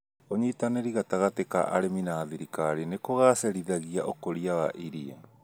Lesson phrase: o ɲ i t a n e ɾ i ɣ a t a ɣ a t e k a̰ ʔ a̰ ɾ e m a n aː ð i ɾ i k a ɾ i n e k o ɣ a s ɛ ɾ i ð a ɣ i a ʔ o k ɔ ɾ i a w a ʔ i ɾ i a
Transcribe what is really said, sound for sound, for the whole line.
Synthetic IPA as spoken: o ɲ i t a n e ɾ i ɣ a t a ɣ a t e k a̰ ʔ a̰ ɾ e m i n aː ð i ɾ i k a ɾ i n e k o ɣ a s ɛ ɾ i ð a ɣ i a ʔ o k o ɾ i a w a ʔ i ɾ i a